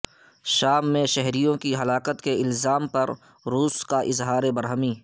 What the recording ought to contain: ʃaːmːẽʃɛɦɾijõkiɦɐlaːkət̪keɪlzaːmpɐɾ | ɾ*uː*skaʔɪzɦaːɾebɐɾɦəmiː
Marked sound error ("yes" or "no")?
no